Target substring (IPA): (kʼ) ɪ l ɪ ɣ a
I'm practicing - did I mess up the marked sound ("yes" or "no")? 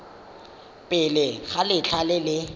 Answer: yes